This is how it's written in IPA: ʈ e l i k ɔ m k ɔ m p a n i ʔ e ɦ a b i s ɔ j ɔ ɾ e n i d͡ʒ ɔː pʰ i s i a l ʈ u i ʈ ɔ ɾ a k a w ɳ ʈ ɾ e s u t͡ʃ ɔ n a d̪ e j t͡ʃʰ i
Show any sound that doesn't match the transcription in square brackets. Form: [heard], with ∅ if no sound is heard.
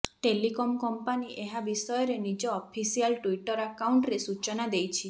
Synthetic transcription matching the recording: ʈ e l i k ɔ m k ɔ m p a n i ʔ e ɦ a b i s ɔ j ɔ ɾ e n i d͡ʒ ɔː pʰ i s i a l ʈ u i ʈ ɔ ɾ a k a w ɳ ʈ ɾ e s u t͡ʃ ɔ n a d̪ e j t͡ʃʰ i